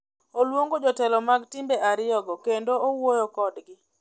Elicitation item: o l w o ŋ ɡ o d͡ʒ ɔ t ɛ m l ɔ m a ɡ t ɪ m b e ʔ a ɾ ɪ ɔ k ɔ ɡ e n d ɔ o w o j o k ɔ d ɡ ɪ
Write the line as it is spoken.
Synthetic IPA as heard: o l w o ŋ ɡ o d͡ʒ ɔ t ɛ l ɔ m a ɡ t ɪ m b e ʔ a ɾ ɪ ɔ ɡ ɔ k e n d o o w o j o k ɔ d ɡ ɪ